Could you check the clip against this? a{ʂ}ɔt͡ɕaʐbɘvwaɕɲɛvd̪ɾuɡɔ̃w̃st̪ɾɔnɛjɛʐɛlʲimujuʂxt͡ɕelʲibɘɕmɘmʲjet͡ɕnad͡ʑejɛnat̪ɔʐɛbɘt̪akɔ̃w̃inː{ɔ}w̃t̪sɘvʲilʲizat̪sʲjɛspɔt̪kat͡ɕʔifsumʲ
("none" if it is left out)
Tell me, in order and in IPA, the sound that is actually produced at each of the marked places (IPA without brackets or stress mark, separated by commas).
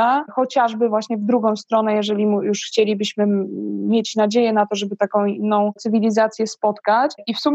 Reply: x, ɔ̃